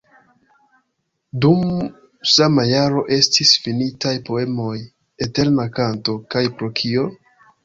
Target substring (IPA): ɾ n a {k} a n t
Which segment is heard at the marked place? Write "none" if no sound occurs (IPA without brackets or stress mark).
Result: k